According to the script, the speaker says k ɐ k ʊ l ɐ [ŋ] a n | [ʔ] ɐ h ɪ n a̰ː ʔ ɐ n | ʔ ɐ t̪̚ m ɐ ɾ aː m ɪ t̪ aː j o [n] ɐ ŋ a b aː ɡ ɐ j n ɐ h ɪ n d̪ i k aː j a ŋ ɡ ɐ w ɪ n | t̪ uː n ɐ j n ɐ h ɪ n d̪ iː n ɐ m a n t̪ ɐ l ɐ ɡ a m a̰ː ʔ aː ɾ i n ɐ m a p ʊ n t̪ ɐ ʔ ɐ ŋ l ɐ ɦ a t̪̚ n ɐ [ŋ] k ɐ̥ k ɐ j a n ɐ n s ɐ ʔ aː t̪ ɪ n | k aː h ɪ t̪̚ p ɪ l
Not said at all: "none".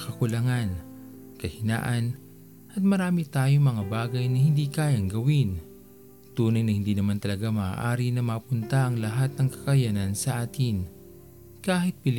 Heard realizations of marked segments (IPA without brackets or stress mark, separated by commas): ŋ, k, m, ŋ